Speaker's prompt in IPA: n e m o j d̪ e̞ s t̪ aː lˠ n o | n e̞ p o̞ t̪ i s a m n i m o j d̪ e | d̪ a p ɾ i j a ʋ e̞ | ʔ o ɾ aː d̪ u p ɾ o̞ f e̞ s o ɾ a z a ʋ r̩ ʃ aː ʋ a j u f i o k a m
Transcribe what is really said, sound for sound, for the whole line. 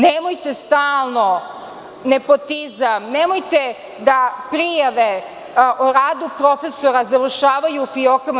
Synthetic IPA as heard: n e m o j t̪ e̞ s t̪ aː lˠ n o | n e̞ p o̞ t̪ i z a m n e m o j t̪ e | d̪ a p ɾ i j a ʋ e̞ | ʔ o ɾ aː d̪ u p ɾ o̞ f e̞ s o ɾ a z a ʋ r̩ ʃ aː ʋ a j u f i o k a m